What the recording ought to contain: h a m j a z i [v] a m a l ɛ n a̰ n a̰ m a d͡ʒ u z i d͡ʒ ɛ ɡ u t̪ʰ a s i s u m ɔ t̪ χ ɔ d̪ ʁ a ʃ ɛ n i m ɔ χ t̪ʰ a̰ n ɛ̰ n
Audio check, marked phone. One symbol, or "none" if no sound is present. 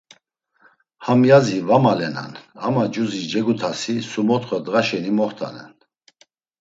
v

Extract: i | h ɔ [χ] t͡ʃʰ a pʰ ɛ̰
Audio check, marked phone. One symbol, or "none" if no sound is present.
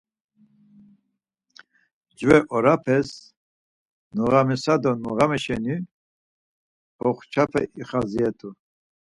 χ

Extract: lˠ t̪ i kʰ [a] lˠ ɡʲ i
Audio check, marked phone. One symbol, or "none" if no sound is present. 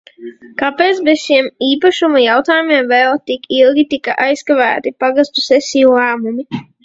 i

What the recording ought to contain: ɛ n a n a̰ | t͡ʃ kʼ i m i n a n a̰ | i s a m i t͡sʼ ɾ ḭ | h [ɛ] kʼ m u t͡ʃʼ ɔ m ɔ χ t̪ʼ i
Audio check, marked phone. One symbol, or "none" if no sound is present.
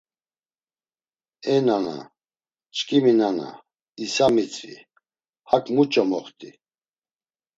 a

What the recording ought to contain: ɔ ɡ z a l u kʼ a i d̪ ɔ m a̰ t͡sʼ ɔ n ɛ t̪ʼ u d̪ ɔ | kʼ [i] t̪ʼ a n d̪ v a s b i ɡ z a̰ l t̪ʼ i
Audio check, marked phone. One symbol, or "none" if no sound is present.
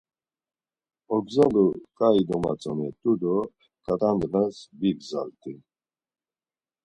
a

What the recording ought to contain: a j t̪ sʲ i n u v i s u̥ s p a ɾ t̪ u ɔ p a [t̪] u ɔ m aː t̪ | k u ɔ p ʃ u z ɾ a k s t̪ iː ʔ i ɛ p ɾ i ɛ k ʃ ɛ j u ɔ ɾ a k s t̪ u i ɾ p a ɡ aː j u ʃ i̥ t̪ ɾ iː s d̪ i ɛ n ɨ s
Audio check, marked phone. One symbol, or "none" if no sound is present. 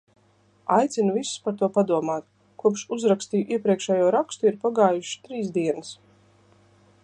d̪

